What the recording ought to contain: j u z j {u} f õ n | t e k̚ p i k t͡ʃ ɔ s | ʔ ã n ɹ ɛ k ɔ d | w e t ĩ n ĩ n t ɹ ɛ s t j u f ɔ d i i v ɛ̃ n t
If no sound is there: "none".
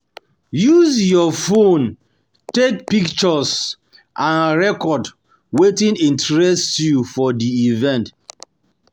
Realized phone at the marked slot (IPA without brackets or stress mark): ɔ